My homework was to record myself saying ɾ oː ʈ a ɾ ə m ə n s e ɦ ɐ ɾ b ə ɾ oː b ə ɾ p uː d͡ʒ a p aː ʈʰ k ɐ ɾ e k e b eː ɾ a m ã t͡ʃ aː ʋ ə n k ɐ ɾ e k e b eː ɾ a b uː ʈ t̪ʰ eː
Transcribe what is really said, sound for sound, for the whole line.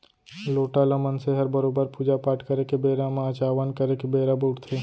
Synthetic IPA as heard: l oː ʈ a l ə m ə n s e ɦ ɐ ɾ b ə ɾ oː b ə ɾ p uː d͡ʒ a p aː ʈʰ k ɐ ɾ e k e b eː ɾ a m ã t͡ʃ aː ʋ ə n k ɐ ɾ e k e b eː ɾ a b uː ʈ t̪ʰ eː